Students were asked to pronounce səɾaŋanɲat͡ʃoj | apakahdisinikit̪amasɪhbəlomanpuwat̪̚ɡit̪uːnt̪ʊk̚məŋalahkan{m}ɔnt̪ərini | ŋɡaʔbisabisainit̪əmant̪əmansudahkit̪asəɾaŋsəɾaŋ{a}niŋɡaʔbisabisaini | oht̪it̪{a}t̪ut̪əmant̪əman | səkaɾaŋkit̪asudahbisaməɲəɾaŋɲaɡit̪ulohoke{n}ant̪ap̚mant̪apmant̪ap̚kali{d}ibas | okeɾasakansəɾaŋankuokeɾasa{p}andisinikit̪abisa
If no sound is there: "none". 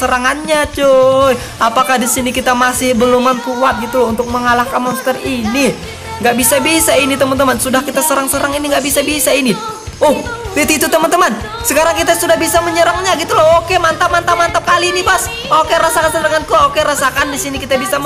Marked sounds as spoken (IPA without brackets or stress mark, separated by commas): m, i, i, m, n, k